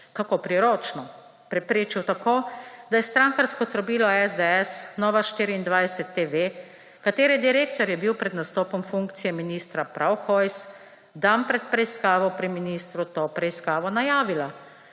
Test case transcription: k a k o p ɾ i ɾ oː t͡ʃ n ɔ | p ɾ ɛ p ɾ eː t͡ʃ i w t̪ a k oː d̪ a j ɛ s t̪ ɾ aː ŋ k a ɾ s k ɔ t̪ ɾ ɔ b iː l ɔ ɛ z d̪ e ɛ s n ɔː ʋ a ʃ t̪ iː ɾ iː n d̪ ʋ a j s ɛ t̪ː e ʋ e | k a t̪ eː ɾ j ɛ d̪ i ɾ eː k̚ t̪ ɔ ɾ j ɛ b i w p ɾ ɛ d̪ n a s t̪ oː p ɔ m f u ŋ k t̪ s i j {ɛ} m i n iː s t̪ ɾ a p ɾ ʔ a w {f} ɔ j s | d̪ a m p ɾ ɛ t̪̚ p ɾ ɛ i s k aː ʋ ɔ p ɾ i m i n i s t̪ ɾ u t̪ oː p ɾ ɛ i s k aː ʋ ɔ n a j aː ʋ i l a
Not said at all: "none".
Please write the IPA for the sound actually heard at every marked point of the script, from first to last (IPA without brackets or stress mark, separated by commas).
ɛ, x